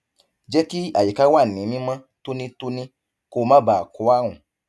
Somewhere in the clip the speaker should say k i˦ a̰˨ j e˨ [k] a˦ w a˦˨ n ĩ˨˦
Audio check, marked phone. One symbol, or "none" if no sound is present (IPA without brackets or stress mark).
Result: k